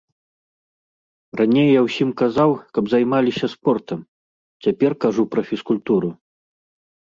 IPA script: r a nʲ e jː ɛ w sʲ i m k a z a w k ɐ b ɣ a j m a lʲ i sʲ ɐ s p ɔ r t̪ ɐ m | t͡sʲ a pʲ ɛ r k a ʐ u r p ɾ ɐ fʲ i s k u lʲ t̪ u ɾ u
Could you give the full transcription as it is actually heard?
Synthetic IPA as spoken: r a nʲ e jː a w sʲ i m k a z a w k ɐ b z a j m a lʲ i sʲ ɐ s p ɔ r t̪ ɐ m | t͡sʲ a pʲ ɛ r k a ʐ u p ɾ ɐ fʲ i s k u lʲ t̪ u ɾ u